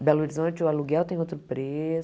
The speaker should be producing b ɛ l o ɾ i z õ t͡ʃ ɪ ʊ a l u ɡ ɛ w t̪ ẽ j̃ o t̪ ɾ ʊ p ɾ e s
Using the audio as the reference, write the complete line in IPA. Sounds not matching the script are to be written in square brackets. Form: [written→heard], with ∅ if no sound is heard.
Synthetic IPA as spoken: b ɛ l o ɾ i z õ t͡ʃ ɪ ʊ a l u ɡ ɛ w t̪ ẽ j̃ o t̪ ɾ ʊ p ɾ e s